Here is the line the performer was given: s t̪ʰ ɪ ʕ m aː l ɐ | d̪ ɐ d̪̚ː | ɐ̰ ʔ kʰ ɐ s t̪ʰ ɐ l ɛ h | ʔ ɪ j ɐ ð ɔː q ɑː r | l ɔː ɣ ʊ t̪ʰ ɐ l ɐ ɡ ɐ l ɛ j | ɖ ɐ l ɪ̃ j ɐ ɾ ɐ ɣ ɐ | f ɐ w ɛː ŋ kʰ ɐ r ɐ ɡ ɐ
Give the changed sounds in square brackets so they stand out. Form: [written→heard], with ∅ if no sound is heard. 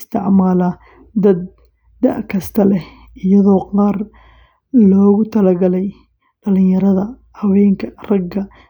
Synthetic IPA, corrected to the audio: s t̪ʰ ɪ ʕ m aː l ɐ | d̪ ɐ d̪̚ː | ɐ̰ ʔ kʰ ɐ s t̪ʰ ɐ l ɛ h | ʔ ɪ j ɐ ð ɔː q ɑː r | l ɔː ɣ ʊ t̪ʰ ɐ l ɐ ɡ ɐ l ɛ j | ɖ ɐ l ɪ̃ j ɐ ɾ ɐ [ɣ→ð] ɐ | [f→h] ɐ w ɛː ŋ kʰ ɐ r ɐ ɡ ɐ